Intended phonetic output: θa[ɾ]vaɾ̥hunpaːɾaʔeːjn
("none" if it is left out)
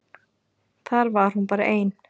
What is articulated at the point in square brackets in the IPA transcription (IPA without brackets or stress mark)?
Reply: ɾ